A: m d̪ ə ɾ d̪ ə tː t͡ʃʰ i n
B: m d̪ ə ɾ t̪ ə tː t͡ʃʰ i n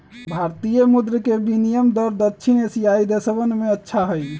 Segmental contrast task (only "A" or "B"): A